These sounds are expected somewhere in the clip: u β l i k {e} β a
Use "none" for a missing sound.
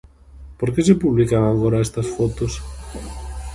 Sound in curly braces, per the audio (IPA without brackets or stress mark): a